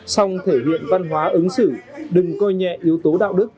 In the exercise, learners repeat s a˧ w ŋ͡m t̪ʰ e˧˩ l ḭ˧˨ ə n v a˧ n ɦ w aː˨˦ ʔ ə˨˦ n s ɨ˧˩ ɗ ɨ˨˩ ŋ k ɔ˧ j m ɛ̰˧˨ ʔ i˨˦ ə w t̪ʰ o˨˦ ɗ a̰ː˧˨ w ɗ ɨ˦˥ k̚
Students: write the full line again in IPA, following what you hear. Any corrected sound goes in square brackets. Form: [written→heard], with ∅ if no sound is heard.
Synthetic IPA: s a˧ w ŋ͡m t̪ʰ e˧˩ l ḭ˧˨ ə n v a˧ n ɦ w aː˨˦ ʔ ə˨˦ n s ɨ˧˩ ɗ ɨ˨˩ ŋ k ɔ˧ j [m→ɲ] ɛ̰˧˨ ʔ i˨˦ ə w [t̪ʰ→t̪] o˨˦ ɗ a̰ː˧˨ w ɗ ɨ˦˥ k̚